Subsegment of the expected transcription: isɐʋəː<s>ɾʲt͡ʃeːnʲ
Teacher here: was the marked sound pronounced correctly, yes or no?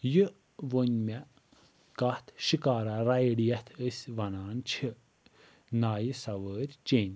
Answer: no